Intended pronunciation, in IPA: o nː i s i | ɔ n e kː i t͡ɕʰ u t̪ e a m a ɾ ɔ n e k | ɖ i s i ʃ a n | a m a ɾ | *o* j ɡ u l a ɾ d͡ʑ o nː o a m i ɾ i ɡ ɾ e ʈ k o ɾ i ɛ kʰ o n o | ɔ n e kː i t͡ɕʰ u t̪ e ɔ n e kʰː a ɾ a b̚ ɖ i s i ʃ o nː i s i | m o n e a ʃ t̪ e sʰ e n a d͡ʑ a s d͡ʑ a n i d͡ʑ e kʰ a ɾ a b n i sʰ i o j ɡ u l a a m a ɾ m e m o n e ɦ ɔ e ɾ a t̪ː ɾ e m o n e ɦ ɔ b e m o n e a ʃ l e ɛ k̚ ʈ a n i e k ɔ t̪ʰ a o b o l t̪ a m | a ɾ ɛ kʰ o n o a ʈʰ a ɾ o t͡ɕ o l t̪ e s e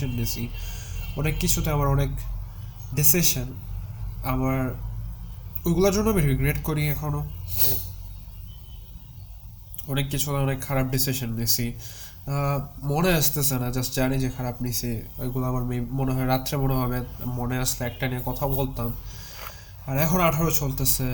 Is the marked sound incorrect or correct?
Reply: correct